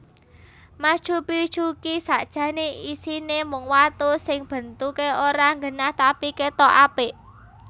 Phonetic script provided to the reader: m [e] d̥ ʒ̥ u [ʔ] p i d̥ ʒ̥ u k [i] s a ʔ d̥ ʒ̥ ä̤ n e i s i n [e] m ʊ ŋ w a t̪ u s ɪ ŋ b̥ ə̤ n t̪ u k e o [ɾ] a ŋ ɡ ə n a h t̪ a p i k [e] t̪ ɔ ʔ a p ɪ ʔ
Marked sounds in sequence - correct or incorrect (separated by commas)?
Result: incorrect, incorrect, correct, correct, correct, correct